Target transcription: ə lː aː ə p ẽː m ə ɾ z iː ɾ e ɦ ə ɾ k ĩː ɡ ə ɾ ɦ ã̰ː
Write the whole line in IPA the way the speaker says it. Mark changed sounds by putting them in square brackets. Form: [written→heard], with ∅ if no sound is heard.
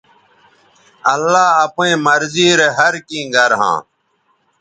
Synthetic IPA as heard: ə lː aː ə p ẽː m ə ɾ z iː ɾ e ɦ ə ɾ k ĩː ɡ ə ɾ ɦ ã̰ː